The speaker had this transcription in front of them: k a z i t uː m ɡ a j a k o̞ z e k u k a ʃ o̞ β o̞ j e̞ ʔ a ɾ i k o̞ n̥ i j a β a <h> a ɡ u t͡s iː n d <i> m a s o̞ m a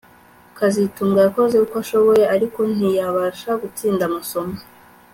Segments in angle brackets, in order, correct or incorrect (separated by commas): incorrect, incorrect